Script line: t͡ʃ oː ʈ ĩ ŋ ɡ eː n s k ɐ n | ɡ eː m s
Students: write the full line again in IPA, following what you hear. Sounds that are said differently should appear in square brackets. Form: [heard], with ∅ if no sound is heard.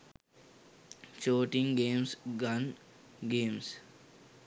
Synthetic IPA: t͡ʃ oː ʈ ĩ ŋ ɡ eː [m] s [ɡ] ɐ n | ɡ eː m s